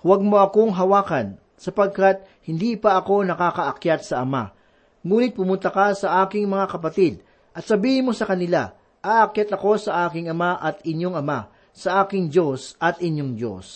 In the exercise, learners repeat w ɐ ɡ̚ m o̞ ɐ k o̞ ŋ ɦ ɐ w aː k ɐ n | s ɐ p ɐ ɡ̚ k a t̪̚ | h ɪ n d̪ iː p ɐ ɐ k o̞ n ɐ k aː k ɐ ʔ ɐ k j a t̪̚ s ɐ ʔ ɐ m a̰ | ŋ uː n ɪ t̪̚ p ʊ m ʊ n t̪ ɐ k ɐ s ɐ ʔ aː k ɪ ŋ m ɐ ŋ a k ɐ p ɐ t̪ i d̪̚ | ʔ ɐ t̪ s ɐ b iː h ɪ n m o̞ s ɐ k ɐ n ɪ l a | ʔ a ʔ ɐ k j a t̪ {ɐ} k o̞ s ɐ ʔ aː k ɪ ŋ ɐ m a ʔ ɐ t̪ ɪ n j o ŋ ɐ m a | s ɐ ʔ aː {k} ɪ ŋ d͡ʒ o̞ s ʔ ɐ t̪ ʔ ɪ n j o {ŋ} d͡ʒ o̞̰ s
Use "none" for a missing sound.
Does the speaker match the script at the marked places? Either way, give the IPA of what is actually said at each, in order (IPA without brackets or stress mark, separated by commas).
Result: ɐ, k, ŋ